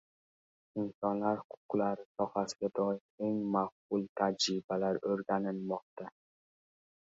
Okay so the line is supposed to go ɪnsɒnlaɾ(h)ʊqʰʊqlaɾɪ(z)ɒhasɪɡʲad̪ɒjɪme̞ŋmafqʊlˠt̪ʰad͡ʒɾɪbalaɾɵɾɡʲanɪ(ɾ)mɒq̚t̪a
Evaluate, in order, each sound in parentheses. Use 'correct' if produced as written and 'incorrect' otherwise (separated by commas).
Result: correct, incorrect, incorrect